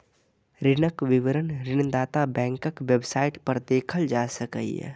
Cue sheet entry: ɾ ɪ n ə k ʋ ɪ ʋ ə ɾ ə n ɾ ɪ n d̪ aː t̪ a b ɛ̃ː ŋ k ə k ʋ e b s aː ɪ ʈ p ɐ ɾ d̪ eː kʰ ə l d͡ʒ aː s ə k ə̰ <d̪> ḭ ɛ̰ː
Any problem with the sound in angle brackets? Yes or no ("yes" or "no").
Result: yes